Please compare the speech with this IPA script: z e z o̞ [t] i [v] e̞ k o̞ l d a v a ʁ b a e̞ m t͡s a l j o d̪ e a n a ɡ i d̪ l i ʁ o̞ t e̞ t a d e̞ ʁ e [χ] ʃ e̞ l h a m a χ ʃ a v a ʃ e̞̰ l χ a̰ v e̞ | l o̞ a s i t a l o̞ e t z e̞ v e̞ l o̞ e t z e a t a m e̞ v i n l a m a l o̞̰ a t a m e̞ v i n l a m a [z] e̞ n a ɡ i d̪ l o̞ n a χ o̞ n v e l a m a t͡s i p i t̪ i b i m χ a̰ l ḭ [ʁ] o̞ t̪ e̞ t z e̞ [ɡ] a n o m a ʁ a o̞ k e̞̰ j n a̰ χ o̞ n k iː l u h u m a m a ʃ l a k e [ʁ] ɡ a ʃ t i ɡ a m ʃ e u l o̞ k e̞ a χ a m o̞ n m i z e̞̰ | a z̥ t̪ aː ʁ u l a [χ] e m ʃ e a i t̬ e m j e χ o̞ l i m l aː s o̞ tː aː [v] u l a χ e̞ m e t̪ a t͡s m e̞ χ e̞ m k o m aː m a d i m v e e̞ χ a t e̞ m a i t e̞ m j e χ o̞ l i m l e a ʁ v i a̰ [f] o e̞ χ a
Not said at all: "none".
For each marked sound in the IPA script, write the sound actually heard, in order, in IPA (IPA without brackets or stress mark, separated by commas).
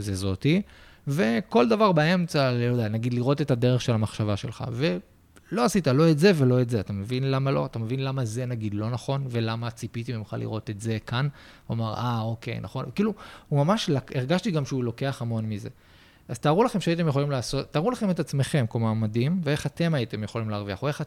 t, v, χ, z, ʁ, k, ʁ, χ, ʁ, χ